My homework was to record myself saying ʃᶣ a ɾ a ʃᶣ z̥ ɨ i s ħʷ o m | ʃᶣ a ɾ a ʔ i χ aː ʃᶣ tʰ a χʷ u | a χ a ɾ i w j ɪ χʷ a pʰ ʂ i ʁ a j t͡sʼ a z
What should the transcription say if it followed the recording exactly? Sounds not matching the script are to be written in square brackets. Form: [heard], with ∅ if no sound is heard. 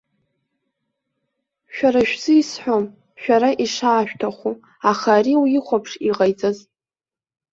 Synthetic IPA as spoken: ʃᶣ a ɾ a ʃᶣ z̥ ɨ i s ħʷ o m | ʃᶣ a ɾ a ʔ i [ʂ] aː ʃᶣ tʰ a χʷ u | a χ a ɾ i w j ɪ χʷ a pʰ ʂ i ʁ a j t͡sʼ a z